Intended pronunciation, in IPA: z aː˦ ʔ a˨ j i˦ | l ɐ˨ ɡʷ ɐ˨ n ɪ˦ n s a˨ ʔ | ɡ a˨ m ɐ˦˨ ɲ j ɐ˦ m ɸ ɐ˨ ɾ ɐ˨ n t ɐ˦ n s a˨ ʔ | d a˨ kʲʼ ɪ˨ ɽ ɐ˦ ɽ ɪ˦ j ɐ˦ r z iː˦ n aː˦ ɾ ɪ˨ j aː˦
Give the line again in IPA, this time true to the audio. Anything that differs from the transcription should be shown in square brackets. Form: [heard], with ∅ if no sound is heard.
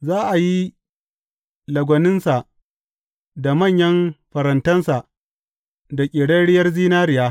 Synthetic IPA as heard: z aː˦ ʔ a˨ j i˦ | l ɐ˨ ɡʷ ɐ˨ n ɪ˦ n s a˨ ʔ | [d] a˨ m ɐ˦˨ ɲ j ɐ˦ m ɸ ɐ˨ ɾ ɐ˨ n t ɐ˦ n s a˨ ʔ | d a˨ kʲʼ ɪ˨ ɽ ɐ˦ ɽ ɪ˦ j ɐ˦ r z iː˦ n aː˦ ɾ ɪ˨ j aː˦